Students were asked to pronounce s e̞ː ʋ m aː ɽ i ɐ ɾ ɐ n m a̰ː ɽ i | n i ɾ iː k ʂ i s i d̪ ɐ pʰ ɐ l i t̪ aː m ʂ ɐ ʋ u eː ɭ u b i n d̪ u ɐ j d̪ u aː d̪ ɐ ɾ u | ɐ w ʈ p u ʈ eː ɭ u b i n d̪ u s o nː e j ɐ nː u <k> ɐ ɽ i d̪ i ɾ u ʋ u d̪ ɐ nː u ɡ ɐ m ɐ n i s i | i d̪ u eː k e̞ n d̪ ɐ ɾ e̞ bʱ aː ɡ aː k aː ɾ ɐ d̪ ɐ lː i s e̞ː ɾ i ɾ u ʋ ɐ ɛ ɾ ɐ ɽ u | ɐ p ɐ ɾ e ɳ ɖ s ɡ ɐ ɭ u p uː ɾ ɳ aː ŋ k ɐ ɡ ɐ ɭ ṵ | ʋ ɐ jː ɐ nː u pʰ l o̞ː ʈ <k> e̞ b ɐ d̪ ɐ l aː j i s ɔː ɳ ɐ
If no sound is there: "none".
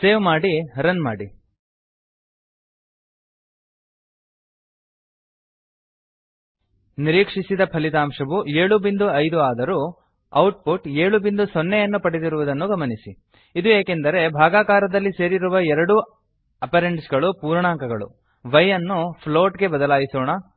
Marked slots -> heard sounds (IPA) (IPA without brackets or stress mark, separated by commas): p, ɡ